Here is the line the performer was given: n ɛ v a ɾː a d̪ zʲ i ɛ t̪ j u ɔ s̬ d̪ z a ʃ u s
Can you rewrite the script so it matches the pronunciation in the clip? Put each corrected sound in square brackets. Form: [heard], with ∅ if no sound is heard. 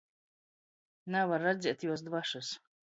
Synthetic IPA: n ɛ v a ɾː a d̪ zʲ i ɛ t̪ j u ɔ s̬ d̪ [v] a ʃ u s